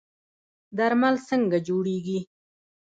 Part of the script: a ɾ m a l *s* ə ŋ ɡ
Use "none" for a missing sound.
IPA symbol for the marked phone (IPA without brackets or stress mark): s